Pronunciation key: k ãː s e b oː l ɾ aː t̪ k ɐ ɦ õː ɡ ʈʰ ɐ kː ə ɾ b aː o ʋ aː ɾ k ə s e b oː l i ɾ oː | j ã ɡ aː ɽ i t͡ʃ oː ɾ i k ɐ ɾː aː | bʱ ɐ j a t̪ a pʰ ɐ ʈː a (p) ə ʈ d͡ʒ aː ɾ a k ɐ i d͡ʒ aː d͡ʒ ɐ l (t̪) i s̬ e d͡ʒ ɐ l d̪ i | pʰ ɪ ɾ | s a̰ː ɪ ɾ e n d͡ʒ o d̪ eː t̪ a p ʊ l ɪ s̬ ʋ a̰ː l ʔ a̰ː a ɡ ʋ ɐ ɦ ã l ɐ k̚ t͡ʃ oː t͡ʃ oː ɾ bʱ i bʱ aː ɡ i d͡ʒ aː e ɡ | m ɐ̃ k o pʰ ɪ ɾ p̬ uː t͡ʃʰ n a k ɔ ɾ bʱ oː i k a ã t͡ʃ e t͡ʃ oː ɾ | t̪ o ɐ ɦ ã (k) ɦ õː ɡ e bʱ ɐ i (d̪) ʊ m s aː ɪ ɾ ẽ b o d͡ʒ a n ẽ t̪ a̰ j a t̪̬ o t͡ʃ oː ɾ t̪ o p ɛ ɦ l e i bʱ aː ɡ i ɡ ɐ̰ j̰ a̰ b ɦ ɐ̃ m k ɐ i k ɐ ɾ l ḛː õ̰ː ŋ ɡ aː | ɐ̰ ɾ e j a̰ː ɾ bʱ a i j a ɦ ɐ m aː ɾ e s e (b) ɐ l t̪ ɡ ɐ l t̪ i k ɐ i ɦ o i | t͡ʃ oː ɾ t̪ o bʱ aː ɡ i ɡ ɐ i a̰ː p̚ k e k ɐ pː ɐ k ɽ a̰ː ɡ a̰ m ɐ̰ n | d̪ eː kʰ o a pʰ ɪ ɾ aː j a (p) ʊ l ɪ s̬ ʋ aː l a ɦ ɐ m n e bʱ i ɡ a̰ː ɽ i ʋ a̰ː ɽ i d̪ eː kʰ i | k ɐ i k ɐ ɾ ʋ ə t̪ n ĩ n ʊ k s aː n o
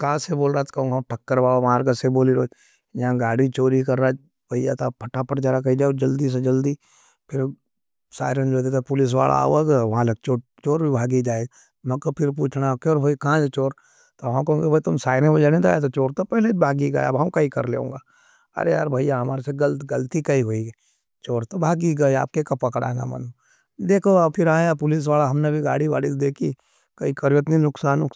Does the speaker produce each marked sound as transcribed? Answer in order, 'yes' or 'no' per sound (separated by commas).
yes, no, yes, no, no, yes